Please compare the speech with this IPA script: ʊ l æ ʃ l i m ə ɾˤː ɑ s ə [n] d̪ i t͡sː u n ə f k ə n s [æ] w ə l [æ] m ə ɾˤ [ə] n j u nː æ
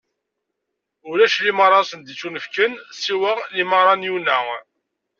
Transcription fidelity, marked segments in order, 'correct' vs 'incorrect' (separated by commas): correct, incorrect, incorrect, incorrect